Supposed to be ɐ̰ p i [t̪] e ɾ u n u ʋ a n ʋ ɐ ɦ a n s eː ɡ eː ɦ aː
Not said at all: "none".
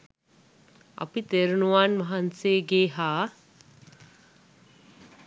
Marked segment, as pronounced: t̪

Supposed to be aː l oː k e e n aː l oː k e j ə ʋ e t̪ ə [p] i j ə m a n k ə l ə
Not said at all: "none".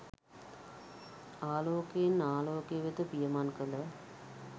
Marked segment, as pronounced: p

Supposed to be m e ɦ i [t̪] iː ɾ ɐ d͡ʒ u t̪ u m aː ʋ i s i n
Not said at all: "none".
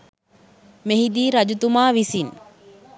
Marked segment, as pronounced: d̪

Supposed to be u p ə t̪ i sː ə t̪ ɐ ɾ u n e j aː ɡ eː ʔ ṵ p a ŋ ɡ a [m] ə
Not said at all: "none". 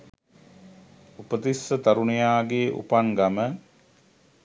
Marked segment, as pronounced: m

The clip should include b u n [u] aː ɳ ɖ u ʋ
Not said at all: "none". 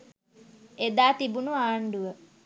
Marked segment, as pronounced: u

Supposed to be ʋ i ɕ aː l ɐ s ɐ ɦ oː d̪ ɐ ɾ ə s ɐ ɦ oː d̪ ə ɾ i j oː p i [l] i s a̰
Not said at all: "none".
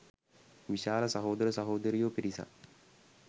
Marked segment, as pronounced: ɾ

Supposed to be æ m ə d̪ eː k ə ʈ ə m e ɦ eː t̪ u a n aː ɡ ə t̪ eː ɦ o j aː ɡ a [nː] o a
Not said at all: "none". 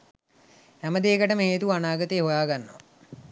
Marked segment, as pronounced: nː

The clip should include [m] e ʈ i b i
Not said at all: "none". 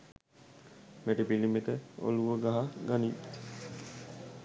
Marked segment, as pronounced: m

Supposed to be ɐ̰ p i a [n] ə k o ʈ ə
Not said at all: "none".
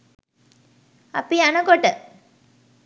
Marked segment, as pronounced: n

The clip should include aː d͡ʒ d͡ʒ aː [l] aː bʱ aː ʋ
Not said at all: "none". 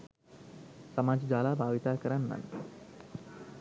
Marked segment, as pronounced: l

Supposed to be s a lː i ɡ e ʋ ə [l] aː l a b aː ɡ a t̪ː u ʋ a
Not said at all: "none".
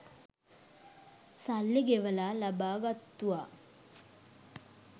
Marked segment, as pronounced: l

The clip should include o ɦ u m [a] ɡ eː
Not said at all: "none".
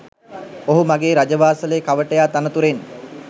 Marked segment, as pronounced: a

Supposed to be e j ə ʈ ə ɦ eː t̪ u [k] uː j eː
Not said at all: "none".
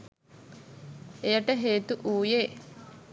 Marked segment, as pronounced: ʔ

